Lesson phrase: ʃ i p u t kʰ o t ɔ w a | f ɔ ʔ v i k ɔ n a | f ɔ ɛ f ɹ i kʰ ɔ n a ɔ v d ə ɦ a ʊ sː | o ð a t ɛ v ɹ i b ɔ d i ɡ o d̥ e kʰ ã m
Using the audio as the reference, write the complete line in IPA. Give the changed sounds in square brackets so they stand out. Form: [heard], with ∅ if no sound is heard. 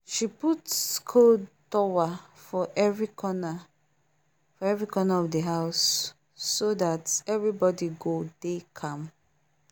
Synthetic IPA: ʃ i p u t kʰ o t ɔ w a | f ɔ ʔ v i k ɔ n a | f ɔ ɛ [v] ɹ i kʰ ɔ n a ɔ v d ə ɦ a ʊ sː | o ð a t ɛ v ɹ i b ɔ d i ɡ o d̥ e kʰ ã m